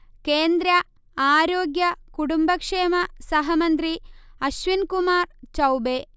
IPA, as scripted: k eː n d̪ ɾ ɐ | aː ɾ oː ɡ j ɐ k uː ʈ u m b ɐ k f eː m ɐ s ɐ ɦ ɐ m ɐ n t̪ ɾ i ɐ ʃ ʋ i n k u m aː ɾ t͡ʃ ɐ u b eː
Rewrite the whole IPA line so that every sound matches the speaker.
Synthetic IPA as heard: k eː n d̪ ɾ ɐ | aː ɾ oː ɡ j ɐ k u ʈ u m b ɐ k ʂ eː m ɐ s ɐ ɦ ɐ m ɐ n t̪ ɾ i ɐ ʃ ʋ i n k u m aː ɾ t͡ʃ ɐ w b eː